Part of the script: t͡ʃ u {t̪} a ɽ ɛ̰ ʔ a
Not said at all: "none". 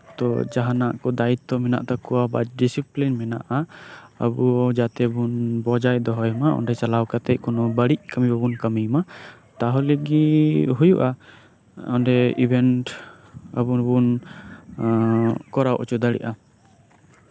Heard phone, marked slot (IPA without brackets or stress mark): d̪